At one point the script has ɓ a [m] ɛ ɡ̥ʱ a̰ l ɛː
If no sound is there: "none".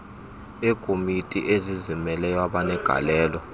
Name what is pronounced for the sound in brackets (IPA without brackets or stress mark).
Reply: n